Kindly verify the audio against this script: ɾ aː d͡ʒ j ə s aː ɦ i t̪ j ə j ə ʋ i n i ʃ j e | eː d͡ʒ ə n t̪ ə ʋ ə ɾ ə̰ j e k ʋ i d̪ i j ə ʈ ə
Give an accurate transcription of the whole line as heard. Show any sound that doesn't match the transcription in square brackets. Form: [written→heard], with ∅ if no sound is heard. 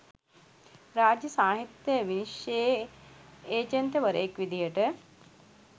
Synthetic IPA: ɾ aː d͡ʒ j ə s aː ɦ i t̪ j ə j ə ʋ i n i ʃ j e | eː d͡ʒ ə n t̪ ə ʋ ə ɾ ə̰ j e k ʋ i d̪ i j ə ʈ ə